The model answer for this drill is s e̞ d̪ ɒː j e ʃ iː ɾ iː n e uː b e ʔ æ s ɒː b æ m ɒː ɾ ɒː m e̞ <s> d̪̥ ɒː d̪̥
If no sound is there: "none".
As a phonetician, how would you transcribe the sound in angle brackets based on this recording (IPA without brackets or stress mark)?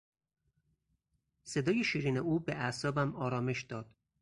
ʃ